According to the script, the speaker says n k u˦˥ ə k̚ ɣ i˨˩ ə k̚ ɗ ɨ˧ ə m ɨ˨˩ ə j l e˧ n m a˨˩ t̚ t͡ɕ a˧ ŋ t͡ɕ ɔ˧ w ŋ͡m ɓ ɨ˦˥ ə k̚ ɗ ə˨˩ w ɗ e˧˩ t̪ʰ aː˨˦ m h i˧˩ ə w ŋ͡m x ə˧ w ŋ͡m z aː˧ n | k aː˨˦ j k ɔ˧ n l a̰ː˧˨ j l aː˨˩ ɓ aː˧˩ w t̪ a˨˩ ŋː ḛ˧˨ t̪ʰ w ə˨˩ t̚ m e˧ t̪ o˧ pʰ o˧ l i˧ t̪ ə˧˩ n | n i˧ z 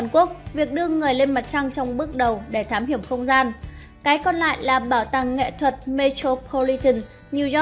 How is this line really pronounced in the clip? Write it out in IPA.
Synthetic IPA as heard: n k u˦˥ ə k̚ v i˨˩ ə k̚ ɗ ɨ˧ ə ŋ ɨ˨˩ ə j l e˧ n m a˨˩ t̚ t͡ɕ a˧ ŋ t͡ɕ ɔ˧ w ŋ͡m ɓ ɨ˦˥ ə k̚ ɗ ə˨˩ w ɗ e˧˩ t̪ʰ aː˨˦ m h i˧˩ ə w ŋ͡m x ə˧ w ŋ͡m z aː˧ n | k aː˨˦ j k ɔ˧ n l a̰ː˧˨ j l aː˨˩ ɓ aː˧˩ w t̪ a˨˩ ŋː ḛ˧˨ t̪ʰ w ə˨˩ t̚ m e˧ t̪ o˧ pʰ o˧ l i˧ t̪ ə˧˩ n | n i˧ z